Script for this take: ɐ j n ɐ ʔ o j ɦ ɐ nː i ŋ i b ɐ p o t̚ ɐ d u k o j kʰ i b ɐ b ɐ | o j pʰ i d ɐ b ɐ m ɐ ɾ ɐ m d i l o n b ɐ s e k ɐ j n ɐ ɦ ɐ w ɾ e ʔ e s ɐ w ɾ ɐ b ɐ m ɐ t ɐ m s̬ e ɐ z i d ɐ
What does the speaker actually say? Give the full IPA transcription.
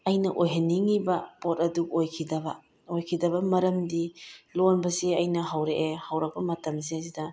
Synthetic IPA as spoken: ɐ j n ɐ ʔ o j ɦ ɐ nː i ŋ i b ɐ p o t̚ ɐ d u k o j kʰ i d ɐ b ɐ | o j kʰ i d ɐ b ɐ m ɐ ɾ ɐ m d i l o n b ɐ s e ɐ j n ɐ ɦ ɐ w ɾ e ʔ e h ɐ w ɾ ɐ b ɐ m ɐ t ɐ m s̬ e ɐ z i d ɐ